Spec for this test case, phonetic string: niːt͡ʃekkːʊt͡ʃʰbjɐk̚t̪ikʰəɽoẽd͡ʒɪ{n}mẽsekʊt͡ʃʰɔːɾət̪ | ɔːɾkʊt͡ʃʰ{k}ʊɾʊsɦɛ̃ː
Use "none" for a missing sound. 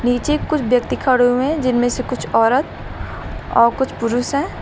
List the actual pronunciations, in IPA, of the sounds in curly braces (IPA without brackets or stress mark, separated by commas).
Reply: n, p